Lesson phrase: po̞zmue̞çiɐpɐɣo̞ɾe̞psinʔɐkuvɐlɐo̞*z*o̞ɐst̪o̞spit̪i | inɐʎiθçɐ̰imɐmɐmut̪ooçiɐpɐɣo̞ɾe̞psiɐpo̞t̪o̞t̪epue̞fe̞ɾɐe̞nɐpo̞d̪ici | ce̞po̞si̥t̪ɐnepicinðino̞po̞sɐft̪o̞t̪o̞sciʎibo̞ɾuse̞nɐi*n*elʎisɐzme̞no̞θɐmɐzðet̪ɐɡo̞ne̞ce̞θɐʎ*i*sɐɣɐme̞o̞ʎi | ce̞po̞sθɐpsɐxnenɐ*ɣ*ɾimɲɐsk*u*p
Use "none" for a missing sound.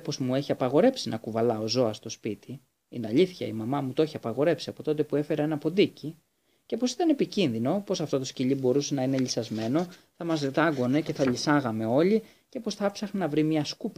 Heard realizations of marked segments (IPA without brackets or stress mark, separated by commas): z, n, i, v, u